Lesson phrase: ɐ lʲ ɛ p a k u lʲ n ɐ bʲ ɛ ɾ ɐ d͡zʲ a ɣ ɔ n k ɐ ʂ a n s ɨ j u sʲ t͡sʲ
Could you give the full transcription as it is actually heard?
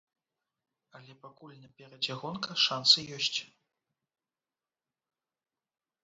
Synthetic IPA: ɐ lʲ ɛ p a k u lʲ n ɐ pʲ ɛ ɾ ɐ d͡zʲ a ɣ ɔ n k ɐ ʂ a n s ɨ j ɔ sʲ t͡sʲ